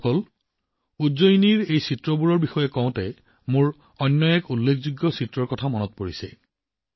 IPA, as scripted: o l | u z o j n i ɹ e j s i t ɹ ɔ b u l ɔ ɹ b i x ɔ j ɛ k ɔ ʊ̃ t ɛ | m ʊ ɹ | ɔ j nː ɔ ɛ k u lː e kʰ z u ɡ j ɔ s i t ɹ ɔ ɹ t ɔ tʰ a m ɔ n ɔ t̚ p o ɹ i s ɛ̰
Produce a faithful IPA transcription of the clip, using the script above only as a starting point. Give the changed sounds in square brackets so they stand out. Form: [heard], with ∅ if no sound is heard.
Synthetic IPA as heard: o l | u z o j n i ɹ e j s i t ɹ ɔ b u [ɹ] ɔ ɹ b i x ɔ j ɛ k ɔ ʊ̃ t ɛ | m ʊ ɹ | ɔ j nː ɔ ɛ k u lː e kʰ z u ɡ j ɔ s i t ɹ ɔ ɹ [k] ɔ tʰ a m ɔ n ɔ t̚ p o ɹ i s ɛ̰